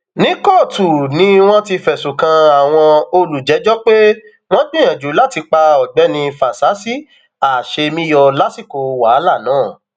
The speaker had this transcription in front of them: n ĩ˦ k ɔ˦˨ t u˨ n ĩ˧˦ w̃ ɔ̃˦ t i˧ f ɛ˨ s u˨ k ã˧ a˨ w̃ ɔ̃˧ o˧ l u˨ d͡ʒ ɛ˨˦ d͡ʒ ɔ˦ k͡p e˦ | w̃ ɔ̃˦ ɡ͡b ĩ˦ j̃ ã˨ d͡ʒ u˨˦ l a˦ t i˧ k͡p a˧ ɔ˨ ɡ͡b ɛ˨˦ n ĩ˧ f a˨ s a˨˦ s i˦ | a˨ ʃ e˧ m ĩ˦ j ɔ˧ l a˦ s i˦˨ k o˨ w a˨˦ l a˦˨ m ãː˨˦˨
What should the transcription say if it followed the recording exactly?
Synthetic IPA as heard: n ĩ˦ k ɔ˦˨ t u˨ n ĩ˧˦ w̃ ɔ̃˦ t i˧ f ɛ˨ s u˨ k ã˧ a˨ w̃ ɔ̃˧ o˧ l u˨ d͡ʒ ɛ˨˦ d͡ʒ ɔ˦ k͡p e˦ | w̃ ɔ̃˦ ɡ͡b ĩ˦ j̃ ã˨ d͡ʒ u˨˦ l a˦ t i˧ k͡p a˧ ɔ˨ ɡ͡b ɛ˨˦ n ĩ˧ f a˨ s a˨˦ s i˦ | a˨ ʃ e˧ m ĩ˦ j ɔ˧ l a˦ s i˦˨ k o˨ w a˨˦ l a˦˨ n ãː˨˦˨